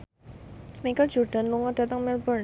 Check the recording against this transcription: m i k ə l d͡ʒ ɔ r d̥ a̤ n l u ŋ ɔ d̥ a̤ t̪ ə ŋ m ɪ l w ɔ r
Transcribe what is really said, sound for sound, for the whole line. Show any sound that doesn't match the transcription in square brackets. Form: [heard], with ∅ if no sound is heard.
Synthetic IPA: m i k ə l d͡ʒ ɔ r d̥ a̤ n l u ŋ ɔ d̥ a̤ t̪ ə ŋ m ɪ l [b] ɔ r